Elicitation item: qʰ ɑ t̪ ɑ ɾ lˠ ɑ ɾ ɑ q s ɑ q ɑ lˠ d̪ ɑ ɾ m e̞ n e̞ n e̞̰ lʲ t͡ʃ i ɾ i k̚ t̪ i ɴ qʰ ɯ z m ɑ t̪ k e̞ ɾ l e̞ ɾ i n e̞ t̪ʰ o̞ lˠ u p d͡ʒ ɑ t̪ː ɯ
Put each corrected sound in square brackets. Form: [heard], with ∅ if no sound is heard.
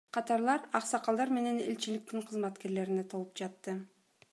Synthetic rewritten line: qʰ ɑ t̪ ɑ ɾ lˠ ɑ ɾ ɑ q s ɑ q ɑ lˠ d̪ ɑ ɾ m e̞ n e̞ n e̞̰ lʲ t͡ʃ i [l] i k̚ t̪ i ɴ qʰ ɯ z m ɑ t̪ k e̞ ɾ l e̞ ɾ i n e̞ t̪ʰ o̞ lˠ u p d͡ʒ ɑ t̪ː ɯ